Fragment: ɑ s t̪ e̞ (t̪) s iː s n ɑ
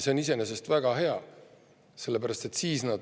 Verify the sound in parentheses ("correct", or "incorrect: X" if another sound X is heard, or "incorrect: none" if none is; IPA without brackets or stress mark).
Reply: correct